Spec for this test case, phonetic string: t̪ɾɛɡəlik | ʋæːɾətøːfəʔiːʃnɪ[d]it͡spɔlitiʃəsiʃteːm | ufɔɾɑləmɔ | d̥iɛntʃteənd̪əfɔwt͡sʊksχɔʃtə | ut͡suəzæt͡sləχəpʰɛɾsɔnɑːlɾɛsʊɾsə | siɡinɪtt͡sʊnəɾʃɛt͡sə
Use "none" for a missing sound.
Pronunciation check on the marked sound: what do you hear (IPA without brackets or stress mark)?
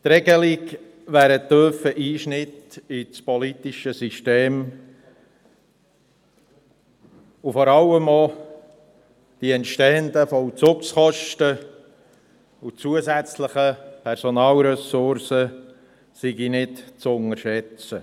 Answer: t